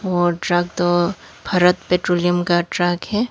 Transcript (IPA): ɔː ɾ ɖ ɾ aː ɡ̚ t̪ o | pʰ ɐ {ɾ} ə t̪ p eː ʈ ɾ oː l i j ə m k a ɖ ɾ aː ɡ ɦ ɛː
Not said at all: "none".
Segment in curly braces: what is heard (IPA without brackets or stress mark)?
ɾ